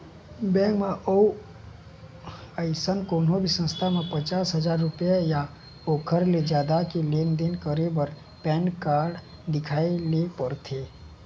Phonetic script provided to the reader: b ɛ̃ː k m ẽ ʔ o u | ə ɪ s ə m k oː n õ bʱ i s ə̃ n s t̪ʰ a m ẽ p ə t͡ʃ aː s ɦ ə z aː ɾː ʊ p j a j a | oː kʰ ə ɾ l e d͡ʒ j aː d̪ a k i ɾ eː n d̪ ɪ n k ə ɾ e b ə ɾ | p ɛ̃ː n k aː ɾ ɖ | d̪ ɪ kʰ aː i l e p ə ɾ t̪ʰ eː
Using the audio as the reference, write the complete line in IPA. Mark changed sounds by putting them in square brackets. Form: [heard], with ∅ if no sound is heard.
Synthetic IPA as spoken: b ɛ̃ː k m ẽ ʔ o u | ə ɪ s ə [n] k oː n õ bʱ i s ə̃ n s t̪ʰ a m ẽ p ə t͡ʃ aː s ɦ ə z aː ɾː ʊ p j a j a | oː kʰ ə ɾ l e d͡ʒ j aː d̪ a k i [l] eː n d̪ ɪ n k ə ɾ e b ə ɾ | p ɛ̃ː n k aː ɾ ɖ | d̪ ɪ kʰ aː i l e p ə ɾ t̪ʰ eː